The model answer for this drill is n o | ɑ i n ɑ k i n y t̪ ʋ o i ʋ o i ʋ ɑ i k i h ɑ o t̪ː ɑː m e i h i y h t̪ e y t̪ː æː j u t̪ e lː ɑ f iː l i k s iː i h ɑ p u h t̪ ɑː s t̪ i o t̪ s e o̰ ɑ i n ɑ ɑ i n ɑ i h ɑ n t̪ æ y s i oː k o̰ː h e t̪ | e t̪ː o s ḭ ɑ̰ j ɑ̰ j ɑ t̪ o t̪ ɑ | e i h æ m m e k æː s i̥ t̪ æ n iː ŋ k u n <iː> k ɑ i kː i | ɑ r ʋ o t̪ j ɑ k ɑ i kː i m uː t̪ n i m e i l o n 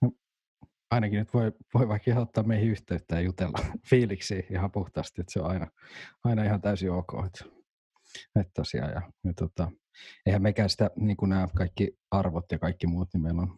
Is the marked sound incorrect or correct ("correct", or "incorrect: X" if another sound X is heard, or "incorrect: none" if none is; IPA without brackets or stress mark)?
incorrect: æː